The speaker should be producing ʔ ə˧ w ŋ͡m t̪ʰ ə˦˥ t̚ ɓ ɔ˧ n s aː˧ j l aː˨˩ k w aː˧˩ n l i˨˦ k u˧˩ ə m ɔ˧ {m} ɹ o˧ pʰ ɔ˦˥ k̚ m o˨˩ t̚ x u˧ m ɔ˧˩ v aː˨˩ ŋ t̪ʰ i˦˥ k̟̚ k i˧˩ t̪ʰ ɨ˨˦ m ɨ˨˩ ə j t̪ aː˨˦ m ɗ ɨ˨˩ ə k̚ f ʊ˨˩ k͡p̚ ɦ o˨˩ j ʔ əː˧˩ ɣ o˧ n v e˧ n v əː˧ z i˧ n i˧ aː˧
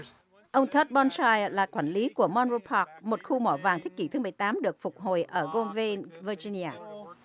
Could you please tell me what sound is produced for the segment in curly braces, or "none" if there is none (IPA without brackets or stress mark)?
n